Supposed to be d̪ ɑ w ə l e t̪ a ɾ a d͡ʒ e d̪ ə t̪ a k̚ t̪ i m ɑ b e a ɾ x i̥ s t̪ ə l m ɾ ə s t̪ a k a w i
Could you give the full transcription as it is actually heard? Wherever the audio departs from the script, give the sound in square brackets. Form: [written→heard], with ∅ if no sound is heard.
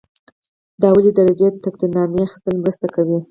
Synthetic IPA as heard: d̪ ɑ w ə l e [t̪→d̪] a ɾ a d͡ʒ e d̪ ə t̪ a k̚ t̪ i [m→n] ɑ [b→m] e a [ɾ→∅] x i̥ s t̪ ə l m ɾ ə s t̪ a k a w i